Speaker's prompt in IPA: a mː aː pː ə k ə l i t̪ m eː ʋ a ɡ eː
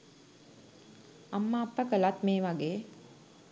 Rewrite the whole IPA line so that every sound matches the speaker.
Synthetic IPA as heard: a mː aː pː ə k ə l a t̪ m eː ʋ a ɡ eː